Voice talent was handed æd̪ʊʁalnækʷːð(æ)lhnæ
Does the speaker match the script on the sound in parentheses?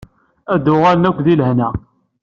no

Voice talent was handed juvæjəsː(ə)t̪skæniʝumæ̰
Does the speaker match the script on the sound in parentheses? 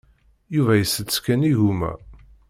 yes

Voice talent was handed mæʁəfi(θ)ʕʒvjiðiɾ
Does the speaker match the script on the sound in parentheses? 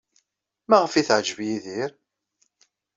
yes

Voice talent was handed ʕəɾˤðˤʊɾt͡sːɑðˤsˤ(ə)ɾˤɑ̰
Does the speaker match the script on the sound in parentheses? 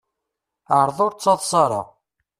no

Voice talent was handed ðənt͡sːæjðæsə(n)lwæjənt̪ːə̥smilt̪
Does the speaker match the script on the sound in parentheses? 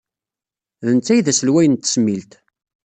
no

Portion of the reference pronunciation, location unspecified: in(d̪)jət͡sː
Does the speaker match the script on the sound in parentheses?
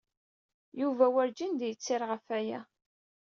yes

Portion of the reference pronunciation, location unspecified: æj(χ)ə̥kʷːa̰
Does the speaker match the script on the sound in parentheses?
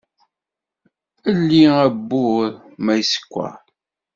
no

